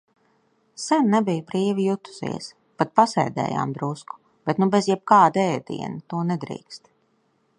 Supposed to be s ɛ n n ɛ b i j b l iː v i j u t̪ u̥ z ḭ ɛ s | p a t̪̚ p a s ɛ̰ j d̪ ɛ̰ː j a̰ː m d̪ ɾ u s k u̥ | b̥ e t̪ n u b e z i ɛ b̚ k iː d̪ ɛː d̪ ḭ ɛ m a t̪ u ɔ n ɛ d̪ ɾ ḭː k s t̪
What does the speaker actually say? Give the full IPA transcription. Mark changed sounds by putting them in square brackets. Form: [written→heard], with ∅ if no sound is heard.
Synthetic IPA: s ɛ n n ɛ b i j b [l→ɾ] iː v i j u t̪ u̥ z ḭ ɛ s | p a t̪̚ p a s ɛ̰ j d̪ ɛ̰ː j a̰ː m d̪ ɾ u s k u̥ | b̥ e t̪ n u b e z [i→j] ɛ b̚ k [iː→aː] d̪ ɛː d̪ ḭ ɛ [m→n] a t̪ u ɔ n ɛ d̪ ɾ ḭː k s t̪